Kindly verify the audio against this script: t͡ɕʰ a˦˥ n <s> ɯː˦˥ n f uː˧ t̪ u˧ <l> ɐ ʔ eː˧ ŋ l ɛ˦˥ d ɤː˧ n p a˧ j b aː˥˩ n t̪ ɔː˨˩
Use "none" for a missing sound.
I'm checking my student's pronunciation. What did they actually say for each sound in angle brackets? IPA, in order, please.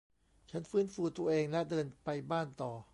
f, none

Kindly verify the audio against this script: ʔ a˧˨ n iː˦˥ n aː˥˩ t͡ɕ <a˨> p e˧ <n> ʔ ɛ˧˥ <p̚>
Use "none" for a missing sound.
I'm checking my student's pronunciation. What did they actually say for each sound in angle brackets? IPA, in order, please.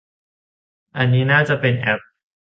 a˨, n, p̚

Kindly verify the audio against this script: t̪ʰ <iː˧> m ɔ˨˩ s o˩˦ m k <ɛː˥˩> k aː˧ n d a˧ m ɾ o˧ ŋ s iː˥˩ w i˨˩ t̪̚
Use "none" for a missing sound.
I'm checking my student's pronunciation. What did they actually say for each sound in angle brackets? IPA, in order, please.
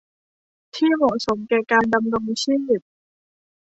iː˥˩, ɛː˨˩

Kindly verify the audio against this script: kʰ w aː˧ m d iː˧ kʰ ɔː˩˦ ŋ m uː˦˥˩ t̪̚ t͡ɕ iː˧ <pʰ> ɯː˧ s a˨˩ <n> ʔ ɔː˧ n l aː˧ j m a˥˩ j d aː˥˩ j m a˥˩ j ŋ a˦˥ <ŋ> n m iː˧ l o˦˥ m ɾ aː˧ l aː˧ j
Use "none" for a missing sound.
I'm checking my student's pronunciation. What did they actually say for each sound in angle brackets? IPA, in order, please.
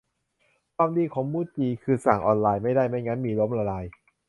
kʰ, ŋ, none

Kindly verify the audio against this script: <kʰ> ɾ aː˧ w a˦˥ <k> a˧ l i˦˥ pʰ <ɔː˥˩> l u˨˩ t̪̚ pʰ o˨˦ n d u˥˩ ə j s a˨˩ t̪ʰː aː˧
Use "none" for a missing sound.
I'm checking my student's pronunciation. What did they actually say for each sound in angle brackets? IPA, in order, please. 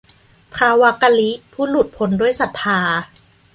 pʰ, k, uː˥˩

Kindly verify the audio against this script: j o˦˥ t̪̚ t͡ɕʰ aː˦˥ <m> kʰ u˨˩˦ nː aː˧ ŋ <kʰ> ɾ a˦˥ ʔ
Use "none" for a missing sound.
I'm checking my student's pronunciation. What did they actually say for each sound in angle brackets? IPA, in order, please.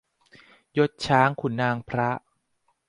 ŋ, pʰ

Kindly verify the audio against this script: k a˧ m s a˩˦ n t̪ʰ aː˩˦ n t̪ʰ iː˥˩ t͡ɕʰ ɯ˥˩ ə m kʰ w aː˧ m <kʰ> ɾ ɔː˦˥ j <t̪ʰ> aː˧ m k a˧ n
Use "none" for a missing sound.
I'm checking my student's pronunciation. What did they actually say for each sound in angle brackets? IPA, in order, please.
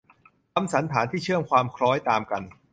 kʰ, t̪

